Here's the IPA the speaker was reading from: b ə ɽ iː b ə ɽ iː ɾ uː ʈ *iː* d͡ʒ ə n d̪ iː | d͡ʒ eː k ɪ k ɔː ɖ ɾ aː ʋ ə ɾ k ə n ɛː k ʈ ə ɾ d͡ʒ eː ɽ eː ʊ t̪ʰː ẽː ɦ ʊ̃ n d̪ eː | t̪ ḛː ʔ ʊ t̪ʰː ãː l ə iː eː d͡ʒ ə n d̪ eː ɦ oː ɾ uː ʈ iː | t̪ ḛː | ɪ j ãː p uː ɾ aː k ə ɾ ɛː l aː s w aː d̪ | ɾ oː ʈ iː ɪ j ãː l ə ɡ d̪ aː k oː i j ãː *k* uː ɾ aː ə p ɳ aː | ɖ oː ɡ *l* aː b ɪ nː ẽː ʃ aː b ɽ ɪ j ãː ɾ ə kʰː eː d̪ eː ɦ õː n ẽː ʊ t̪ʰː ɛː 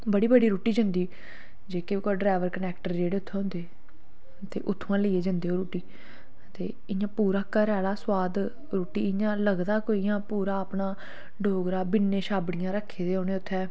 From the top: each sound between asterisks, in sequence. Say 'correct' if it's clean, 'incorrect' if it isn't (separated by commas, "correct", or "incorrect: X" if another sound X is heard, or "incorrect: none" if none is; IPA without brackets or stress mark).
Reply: correct, incorrect: p, incorrect: ɾ